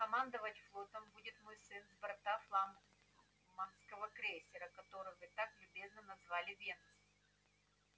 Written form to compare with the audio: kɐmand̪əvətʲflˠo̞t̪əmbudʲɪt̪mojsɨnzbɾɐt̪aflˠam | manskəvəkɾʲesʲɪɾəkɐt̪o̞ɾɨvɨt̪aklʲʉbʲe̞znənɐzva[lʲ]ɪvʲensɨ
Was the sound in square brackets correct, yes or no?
yes